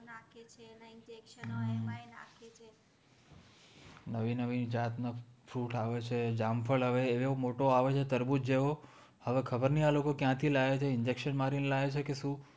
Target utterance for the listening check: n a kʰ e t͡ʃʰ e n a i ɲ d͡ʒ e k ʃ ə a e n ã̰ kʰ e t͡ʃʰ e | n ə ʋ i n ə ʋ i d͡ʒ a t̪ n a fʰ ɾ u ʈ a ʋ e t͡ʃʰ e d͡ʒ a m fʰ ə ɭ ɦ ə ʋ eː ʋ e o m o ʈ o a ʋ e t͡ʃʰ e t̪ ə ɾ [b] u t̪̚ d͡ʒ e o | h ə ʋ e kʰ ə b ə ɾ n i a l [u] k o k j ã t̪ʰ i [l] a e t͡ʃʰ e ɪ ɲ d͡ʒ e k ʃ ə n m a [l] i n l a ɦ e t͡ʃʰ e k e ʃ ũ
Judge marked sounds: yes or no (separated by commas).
yes, no, yes, no